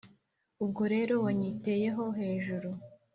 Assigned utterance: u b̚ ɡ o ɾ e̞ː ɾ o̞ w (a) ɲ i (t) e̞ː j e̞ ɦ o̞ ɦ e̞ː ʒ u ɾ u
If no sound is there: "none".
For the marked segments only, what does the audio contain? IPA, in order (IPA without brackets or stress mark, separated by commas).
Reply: a, t